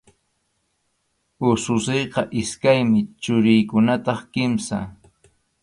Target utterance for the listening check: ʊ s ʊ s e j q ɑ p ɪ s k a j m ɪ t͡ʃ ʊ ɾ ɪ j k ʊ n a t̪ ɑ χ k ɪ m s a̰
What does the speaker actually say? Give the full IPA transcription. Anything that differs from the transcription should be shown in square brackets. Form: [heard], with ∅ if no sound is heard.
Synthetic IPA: ʊ s ʊ s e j q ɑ [ʔ] ɪ s k a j m ɪ t͡ʃ ʊ ɾ ɪ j k ʊ n a t̪ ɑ χ k ɪ m s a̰